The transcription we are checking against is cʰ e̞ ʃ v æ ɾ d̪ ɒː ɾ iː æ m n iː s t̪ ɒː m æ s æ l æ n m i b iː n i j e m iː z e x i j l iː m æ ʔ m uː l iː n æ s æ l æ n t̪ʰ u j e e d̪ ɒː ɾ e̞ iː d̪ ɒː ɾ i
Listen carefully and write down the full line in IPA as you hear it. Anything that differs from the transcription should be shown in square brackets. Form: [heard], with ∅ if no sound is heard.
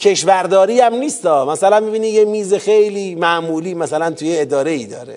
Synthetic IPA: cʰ e̞ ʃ v æ ɾ d̪ ɒː ɾ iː æ m n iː s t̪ ɒː m æ s æ l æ n m i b iː n i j e m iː z e x [e] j l iː m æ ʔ m uː l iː [m] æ s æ l æ n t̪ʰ u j e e d̪ ɒː ɾ e̞ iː d̪ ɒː ɾ [e]